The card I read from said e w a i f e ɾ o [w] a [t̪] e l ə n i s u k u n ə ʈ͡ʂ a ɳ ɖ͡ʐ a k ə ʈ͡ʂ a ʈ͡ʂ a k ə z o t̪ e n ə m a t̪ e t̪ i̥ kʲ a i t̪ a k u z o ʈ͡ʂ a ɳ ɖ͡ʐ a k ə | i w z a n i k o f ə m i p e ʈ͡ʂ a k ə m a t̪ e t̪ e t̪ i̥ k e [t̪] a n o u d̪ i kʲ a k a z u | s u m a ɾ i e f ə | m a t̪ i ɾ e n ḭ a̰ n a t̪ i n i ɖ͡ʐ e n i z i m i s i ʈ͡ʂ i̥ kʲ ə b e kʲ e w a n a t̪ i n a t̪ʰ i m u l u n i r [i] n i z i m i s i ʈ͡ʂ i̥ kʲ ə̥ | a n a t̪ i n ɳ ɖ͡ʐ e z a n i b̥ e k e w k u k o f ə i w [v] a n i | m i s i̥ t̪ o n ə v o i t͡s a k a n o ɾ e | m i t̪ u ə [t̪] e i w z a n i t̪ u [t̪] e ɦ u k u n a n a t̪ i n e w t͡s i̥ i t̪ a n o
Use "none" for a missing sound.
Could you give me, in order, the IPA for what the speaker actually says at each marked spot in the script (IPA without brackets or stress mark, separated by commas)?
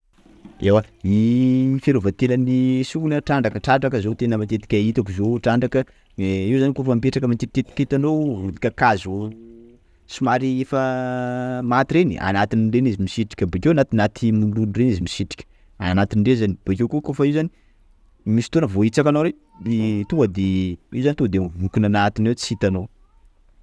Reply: v, t̪, t̪, e, z, d̪, d̪